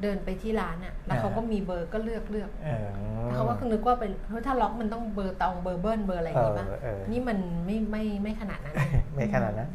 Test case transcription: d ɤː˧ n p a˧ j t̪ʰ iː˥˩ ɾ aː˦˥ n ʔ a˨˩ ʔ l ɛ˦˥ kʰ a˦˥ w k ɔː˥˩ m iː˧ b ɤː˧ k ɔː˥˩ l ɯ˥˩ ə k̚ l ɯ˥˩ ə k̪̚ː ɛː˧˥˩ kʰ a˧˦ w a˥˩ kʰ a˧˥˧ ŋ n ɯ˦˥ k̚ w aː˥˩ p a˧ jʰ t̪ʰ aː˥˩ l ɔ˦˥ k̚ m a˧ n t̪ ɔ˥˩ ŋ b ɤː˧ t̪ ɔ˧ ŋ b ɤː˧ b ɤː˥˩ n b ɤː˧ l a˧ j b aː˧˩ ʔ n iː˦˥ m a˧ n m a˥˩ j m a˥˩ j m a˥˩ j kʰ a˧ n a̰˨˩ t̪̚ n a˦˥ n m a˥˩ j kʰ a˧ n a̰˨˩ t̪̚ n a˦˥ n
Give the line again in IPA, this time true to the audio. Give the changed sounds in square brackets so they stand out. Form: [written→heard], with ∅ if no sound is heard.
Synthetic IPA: d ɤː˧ n p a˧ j t̪ʰ iː˥˩ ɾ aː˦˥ n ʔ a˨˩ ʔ l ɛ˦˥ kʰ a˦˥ w k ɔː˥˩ m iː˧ b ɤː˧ k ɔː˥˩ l ɯ˥˩ ə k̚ l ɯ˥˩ ə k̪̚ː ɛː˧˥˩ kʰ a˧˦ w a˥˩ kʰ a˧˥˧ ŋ n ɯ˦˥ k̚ w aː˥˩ p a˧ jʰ t̪ʰ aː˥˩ l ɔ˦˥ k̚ m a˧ n t̪ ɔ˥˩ ŋ b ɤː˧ t̪ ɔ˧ ŋ b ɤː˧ b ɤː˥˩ n b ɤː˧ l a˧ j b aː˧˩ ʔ n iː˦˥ m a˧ n m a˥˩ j m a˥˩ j m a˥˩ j kʰ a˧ n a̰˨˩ t̪̚ n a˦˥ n m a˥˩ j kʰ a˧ n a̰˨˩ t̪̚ n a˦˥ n